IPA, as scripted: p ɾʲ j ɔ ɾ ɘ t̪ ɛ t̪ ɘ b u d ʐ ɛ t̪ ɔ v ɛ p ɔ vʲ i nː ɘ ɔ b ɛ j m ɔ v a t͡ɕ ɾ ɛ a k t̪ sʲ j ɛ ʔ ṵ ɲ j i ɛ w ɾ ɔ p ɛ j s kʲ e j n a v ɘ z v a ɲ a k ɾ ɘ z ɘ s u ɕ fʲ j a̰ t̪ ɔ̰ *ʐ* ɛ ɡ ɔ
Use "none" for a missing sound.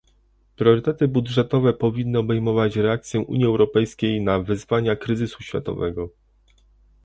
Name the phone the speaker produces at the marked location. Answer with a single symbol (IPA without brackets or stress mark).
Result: v